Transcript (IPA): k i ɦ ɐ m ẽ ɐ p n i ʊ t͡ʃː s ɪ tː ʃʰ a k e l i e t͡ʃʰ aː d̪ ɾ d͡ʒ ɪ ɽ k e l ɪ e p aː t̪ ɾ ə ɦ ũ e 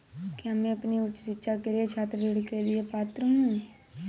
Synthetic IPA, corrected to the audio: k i ɦ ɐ m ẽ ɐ p n i ʊ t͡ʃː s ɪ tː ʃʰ a k e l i e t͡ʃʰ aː t̪ ɾ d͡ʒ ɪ ɽ k e l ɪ e p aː t̪ ɾ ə ɦ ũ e